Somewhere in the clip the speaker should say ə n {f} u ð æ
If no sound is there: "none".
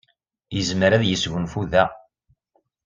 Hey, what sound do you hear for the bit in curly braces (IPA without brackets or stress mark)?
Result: f